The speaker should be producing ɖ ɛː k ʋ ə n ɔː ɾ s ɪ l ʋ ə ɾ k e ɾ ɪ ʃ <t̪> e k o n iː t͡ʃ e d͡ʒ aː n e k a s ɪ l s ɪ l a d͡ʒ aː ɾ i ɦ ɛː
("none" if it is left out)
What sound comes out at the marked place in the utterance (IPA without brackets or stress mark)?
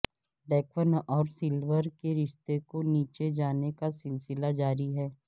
t̪